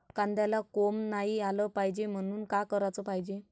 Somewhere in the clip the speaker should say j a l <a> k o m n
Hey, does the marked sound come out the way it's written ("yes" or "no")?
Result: yes